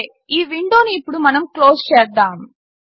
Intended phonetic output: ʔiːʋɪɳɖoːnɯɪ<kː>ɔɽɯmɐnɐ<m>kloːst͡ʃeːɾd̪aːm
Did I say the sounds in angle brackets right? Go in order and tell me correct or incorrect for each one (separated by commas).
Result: incorrect, correct